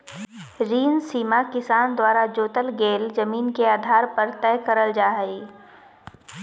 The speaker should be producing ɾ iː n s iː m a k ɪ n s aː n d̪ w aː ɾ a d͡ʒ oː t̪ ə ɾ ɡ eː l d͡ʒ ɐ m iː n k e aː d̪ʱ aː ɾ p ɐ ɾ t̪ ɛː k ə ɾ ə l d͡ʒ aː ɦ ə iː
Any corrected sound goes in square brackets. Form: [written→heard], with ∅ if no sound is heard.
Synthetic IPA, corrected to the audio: ɾ iː n s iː m a k ɪ [n→∅] s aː n d̪ w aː ɾ a d͡ʒ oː t̪ ə [ɾ→l] ɡ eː l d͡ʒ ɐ m iː n k e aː d̪ʱ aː ɾ p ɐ ɾ t̪ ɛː k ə ɾ ə l d͡ʒ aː ɦ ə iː